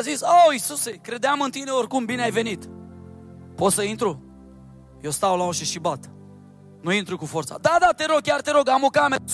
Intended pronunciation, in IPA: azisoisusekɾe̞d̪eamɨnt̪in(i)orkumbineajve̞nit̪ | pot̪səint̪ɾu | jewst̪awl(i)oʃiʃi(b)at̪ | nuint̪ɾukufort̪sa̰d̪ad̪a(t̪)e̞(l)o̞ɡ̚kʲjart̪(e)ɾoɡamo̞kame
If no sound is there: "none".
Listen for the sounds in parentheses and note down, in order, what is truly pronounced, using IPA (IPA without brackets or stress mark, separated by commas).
e, a, b, t̪, ɾ, e